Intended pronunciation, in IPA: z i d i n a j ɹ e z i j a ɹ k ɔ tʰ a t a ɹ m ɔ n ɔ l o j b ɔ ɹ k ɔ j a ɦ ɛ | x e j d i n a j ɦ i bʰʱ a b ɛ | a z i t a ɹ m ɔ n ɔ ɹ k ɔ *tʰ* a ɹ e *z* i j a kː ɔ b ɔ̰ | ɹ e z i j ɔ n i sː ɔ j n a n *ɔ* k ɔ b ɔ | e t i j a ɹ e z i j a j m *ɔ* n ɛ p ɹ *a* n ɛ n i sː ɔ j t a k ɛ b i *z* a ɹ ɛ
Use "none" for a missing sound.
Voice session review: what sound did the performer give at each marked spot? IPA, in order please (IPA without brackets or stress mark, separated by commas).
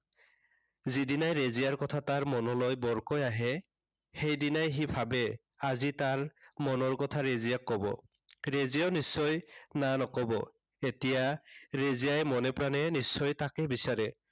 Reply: tʰ, z, ɔ, ɔ, a, s